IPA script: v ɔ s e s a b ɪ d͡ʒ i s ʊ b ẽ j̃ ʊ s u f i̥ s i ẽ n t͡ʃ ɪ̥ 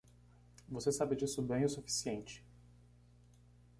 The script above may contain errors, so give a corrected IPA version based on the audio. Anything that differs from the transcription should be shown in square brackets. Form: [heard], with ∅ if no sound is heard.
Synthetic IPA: v [o] s e s a b ɪ d͡ʒ i s ʊ b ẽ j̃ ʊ s u f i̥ s i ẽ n t͡ʃ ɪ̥